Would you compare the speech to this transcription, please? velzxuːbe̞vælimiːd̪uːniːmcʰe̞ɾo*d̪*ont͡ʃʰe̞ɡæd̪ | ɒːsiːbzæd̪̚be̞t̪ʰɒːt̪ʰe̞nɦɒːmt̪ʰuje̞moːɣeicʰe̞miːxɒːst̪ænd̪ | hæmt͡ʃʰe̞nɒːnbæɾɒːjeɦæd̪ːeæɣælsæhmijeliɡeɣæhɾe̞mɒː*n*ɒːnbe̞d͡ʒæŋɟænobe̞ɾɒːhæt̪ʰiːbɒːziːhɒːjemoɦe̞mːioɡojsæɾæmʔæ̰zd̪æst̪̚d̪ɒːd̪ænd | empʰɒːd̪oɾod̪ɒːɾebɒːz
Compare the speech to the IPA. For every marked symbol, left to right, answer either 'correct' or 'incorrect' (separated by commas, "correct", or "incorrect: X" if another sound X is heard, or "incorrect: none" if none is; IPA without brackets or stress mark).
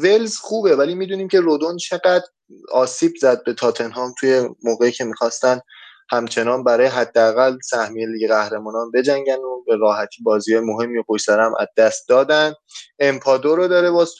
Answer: correct, correct